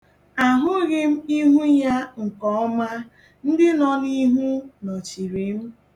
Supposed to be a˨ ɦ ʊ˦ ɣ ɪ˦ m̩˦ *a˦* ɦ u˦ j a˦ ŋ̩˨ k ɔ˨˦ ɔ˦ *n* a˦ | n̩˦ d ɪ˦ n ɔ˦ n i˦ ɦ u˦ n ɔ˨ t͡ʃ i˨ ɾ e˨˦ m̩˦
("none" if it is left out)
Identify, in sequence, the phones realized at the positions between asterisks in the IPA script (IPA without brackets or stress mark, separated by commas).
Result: i˦, m